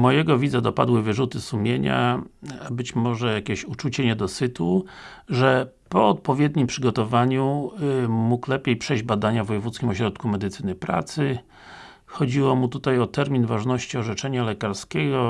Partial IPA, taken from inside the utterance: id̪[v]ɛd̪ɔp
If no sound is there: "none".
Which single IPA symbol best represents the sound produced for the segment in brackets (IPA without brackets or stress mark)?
z